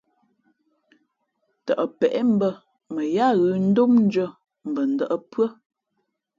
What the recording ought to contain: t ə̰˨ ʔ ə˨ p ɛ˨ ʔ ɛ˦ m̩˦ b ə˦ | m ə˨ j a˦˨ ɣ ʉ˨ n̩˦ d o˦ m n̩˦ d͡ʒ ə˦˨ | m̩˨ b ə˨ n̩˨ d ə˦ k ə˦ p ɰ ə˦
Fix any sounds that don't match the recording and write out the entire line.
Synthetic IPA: t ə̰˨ ʔ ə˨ p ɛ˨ ʔ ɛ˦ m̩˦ b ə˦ | m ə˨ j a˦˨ ɣ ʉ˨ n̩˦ d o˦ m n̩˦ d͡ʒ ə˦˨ | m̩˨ b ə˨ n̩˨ d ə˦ ʔ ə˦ p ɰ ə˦